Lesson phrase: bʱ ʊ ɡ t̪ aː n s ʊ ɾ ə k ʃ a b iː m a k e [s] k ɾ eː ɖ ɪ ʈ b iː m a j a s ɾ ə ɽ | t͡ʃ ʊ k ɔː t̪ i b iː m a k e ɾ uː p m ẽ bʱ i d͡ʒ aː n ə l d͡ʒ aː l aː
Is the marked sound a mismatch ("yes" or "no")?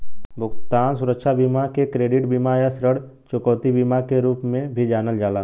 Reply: yes